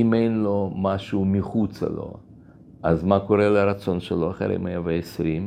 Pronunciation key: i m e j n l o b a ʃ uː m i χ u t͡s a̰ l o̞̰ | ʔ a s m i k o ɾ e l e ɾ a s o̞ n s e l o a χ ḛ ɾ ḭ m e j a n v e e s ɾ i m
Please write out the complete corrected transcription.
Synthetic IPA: i m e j n l o m a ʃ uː m i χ u t͡s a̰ l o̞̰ | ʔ a z m a k o ɾ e l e ɾ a t͡s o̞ n ʃ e l o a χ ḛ ɾ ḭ m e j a v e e s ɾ i m